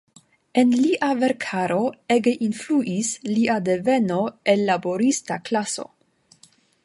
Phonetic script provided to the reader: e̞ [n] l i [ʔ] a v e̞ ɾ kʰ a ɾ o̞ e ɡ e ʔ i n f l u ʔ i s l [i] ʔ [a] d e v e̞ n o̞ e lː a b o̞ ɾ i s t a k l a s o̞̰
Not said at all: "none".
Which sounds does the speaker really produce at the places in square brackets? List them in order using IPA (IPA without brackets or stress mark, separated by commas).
n, ʔ, i, a